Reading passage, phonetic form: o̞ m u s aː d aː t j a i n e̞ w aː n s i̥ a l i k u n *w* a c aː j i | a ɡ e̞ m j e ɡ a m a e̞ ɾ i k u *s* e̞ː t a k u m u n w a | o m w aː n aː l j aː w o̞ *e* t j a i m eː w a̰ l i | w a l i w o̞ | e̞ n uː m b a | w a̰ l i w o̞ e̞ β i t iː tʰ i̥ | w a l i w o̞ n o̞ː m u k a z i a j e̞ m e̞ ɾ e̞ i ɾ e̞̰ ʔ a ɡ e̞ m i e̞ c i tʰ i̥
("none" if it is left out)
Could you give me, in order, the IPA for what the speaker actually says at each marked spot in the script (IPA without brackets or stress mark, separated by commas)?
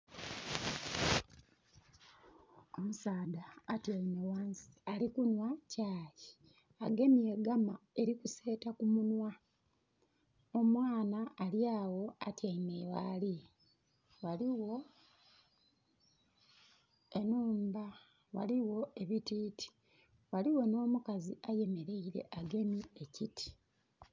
w, s, a